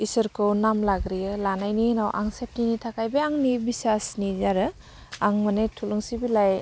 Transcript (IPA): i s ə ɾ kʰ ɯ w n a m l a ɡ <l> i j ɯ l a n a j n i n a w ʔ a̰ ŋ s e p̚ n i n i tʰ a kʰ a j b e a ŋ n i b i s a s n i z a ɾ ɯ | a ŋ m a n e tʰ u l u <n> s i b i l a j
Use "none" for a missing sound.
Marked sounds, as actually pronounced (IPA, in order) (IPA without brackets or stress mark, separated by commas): ɾ, ŋ